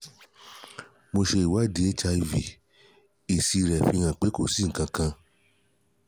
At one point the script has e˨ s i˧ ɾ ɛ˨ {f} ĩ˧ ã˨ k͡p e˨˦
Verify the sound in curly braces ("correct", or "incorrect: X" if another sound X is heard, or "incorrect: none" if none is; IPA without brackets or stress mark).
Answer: correct